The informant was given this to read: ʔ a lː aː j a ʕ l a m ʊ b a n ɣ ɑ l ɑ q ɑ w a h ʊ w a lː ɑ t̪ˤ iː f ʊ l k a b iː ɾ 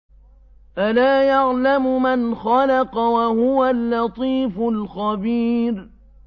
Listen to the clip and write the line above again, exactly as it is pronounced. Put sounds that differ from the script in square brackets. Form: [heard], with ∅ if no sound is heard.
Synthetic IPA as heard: ʔ a [l] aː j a ʕ l a m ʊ [m] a n [x] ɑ l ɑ q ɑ w a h ʊ w a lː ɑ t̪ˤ iː f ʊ l [x] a b iː ɾ